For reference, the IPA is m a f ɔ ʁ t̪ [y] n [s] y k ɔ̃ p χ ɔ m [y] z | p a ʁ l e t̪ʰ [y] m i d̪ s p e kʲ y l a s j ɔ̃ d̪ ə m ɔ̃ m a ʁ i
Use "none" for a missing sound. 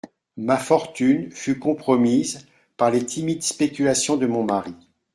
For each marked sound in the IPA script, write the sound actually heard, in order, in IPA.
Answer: y, f, i, i

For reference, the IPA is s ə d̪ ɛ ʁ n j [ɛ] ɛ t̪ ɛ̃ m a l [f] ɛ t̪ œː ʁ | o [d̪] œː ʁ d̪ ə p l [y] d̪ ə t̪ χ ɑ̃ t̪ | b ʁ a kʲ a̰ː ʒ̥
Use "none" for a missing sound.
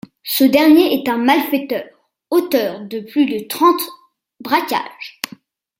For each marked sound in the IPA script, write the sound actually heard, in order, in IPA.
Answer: e, f, t̪, y

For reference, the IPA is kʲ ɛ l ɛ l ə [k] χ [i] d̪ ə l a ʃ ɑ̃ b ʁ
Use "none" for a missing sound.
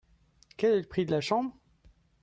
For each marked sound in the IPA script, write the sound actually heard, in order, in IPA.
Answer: p, i

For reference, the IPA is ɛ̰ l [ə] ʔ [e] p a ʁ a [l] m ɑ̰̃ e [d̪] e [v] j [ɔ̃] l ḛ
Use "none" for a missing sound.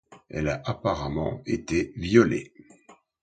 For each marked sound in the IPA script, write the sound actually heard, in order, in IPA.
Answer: a, a, none, t̪, v, ɔ

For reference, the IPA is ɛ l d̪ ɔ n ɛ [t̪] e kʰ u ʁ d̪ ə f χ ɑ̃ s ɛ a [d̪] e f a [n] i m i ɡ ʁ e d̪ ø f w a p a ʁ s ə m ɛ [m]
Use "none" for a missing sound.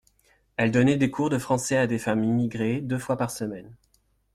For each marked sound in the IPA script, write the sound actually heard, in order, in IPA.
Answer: d̪, d̪, m, n

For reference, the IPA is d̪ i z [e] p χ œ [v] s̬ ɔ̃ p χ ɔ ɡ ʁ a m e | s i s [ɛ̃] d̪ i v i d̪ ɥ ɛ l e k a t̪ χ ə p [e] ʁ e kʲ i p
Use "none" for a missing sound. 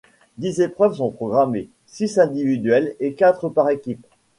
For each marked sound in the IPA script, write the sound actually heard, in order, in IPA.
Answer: e, v, ɛ̃, a

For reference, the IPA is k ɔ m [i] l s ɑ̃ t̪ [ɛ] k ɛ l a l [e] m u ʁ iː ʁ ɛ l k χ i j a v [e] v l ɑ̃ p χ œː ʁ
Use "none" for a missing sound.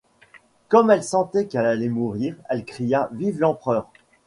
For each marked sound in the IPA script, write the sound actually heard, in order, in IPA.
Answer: ɛ, ɛ, ɛ, i

